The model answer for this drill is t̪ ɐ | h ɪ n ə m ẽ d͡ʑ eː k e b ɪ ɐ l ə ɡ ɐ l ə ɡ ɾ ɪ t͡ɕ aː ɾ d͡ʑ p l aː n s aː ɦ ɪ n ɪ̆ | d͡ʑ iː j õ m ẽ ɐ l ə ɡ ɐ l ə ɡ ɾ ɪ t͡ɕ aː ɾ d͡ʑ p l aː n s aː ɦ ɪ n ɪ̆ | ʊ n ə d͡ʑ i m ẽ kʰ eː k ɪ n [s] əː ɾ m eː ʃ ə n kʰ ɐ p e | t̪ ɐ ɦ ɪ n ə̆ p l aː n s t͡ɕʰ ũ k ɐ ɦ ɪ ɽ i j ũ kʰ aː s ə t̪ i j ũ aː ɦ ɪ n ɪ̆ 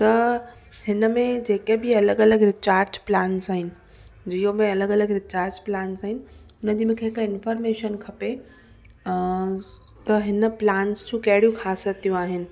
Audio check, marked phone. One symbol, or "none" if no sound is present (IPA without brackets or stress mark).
f